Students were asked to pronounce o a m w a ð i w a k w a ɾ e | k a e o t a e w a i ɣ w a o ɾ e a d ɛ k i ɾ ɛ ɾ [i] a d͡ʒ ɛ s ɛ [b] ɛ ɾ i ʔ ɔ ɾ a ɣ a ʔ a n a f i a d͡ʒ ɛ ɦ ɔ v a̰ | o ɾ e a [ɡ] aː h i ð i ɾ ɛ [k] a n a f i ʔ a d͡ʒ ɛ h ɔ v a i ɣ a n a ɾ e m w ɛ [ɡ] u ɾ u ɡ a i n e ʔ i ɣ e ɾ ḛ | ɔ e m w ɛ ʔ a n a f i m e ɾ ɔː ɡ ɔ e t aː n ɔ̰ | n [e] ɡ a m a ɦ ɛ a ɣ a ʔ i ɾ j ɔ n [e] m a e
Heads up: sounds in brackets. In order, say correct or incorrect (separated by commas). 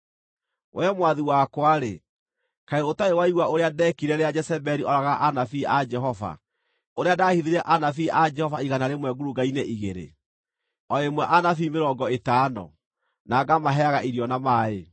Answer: incorrect, correct, incorrect, incorrect, correct, incorrect, incorrect